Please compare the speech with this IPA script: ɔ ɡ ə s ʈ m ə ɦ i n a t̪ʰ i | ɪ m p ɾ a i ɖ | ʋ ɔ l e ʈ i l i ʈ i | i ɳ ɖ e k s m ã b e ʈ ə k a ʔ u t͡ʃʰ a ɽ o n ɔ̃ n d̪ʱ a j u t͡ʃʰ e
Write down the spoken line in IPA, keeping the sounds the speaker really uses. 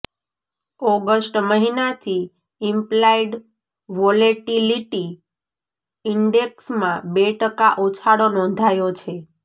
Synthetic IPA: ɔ ɡ ə s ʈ m ə ɦ i n a t̪ʰ i | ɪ m p l a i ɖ | ʋ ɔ l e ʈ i l i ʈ i | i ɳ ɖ e k s m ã b e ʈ ə k a ʔ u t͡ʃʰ a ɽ o n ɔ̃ n d̪ʱ a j o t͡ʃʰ e